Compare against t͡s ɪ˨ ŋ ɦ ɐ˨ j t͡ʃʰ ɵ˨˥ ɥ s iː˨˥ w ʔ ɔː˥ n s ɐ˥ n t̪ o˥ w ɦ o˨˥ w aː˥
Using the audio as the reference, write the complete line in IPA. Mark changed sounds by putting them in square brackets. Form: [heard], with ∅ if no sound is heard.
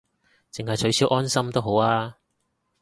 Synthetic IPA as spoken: t͡s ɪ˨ ŋ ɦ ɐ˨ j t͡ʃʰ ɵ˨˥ ɥ s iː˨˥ w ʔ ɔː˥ n s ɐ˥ [m] t̪ o˥ w ɦ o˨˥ w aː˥